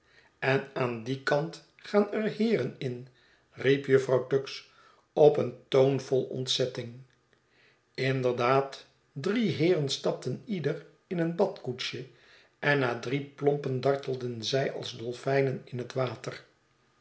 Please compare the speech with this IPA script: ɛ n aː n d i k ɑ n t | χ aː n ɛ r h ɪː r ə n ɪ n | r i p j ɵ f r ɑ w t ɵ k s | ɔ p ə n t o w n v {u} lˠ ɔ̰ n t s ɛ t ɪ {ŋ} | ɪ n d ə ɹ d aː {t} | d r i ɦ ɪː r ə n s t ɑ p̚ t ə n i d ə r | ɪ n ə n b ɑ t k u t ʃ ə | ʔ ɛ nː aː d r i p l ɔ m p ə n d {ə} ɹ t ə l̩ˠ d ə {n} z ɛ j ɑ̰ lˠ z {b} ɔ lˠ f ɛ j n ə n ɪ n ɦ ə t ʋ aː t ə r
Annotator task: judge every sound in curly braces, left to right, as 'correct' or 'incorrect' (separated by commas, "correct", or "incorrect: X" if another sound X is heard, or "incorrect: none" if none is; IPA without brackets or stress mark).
incorrect: ɔ, correct, correct, incorrect: ɑ, correct, incorrect: d